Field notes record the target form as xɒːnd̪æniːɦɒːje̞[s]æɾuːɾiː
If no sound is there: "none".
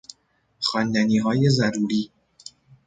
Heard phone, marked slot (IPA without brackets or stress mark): z